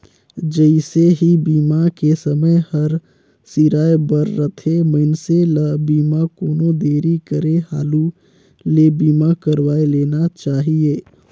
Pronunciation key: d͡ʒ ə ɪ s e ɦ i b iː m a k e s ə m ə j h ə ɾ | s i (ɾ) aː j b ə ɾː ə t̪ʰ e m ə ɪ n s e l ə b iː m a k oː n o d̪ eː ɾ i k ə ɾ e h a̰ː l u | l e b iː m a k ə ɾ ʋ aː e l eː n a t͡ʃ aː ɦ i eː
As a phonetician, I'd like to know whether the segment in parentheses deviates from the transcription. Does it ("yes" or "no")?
no